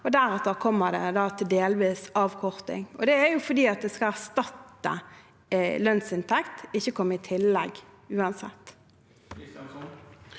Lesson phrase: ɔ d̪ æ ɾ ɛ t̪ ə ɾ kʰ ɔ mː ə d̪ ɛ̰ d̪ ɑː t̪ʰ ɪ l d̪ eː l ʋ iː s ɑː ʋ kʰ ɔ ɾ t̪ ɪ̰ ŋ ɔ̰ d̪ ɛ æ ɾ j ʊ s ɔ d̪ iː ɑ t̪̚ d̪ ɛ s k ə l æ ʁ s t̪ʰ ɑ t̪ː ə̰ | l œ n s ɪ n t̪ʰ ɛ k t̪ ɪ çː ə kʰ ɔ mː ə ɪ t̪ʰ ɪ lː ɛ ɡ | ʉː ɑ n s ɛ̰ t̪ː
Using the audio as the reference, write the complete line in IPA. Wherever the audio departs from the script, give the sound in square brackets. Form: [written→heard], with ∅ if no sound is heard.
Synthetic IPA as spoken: ɔ d̪ æ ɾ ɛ t̪ ə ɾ kʰ ɔ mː ə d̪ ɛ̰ d̪ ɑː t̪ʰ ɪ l d̪ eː l ʋ iː s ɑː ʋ kʰ ɔ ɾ t̪ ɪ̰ ŋ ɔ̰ d̪ ɛ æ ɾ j ʊ [s→f] ɔ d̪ iː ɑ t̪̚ d̪ ɛ s k [ə→ɑ] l æ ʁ s [t̪ʰ→t̪] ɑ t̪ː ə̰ | l œ n s ɪ n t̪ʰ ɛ k t̪ ɪ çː ə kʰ ɔ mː ə ɪ t̪ʰ ɪ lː ɛ ɡ | ʉː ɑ n s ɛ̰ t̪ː

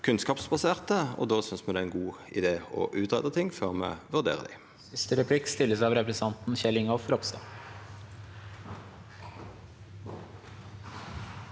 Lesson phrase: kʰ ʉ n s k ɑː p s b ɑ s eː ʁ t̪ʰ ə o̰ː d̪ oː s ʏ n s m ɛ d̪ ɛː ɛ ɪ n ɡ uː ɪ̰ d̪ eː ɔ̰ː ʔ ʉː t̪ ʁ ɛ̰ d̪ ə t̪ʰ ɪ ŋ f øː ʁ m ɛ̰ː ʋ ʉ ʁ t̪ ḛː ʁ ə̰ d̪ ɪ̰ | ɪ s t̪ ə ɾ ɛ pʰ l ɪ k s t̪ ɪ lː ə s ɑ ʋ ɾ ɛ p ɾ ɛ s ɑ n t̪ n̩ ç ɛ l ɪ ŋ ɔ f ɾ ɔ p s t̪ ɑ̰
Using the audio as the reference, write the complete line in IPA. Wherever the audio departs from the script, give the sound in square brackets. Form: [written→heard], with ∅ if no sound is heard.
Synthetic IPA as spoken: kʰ ʉ n s k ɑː p s b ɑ s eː ʁ [t̪ʰ→t̪] ə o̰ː d̪ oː s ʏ n s m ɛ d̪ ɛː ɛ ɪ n ɡ uː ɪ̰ d̪ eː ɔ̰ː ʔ ʉː t̪ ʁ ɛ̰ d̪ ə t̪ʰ ɪ ŋ f øː ʁ m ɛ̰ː ʋ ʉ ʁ [t̪→d̪] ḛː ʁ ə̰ d̪ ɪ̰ | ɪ s t̪ ə ɾ ɛ pʰ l ɪ k s t̪ ɪ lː ə s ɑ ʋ ɾ ɛ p ɾ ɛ s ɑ n t̪ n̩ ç ɛ l ɪ ŋ ɔ f ɾ ɔ p s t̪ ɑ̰

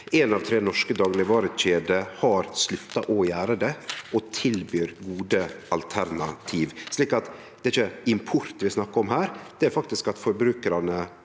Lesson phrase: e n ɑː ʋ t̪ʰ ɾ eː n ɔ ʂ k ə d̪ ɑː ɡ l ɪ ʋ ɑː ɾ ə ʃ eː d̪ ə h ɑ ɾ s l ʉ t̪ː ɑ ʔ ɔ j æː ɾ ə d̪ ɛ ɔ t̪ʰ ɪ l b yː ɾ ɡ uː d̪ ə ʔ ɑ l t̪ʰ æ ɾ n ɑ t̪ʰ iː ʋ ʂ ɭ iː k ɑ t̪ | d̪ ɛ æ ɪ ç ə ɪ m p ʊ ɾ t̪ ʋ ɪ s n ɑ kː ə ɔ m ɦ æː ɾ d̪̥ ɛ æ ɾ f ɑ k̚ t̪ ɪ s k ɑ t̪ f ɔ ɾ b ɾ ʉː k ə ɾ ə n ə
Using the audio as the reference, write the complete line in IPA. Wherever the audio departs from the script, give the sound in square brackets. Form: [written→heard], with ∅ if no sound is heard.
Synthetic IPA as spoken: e n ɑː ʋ t̪ʰ ɾ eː n ɔ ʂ k ə d̪ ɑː ɡ l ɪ ʋ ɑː ɾ ə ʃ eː d̪ ə h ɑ ɾ s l ʉ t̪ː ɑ ʔ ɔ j æː ɾ ə d̪ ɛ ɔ t̪ʰ ɪ l b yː ɾ ɡ uː d̪ ə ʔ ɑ l t̪ʰ æ ɾ n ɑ t̪ʰ iː ʋ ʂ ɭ iː k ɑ t̪ | d̪ ɛ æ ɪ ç ə ɪ m [p→pʰ] ʊ ɾ t̪ ʋ ɪ s n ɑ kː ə ɔ m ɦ æː ɾ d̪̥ ɛ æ ɾ f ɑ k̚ t̪ ɪ s k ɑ t̪ f ɔ ɾ b ɾ ʉː k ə ɾ [ə→ɑ] n ə

